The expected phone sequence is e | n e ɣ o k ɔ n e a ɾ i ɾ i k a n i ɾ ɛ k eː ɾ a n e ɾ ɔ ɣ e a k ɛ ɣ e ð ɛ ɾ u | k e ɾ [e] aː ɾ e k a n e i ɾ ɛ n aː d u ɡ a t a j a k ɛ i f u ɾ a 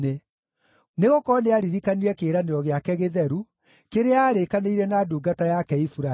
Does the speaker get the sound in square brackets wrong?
no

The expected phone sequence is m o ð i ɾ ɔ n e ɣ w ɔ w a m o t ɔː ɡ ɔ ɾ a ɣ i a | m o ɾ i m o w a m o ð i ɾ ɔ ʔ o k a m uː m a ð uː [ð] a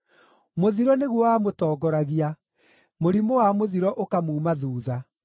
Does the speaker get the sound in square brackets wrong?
no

